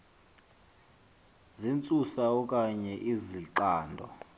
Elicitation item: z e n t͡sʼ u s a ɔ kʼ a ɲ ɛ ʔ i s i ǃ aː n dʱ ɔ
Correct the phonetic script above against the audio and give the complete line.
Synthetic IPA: z i n t͡sʼ u s a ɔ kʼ a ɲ ɛ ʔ i z i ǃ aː n dʱ ɔ